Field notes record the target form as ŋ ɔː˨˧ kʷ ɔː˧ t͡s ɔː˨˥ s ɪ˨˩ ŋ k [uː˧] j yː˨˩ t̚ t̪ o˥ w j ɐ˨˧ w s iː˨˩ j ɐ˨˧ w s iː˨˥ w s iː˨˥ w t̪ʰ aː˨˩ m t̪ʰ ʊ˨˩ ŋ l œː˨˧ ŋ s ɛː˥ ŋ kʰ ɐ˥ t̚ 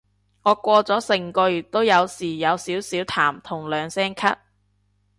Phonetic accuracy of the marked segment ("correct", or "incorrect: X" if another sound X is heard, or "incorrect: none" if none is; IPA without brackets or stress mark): incorrect: ɔː˧